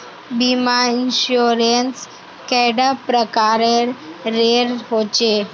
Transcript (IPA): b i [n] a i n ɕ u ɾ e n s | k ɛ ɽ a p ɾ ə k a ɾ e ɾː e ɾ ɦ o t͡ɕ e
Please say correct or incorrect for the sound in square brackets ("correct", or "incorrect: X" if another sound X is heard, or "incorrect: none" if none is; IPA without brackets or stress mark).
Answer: incorrect: m